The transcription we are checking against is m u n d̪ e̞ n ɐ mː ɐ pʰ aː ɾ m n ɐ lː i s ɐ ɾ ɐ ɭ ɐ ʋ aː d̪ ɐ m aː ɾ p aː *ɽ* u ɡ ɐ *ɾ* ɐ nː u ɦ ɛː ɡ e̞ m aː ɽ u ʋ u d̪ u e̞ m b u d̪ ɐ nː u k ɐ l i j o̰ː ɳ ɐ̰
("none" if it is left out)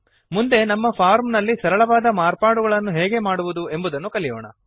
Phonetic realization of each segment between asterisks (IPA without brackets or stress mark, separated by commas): ɽ, ɭ